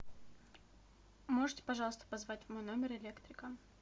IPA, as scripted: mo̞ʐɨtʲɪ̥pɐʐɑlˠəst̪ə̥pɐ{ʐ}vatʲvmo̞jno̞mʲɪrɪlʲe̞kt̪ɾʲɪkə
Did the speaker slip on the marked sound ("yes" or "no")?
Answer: yes